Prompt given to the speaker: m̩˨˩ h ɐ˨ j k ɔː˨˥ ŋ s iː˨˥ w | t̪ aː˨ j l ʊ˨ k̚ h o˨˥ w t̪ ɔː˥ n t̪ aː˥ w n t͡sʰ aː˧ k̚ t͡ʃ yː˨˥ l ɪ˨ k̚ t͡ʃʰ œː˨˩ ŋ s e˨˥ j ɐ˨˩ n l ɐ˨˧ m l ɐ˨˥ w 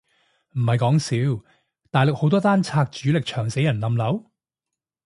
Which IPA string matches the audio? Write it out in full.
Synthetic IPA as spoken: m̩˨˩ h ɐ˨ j k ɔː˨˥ ŋ s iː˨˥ w | t̪ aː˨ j l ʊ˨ k̚ h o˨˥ w t̪ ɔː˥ t̪ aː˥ n t͡sʰ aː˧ k̚ t͡ʃ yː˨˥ l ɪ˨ k̚ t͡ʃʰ œː˨˩ ŋ s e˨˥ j ɐ˨˩ n l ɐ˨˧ m l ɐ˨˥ w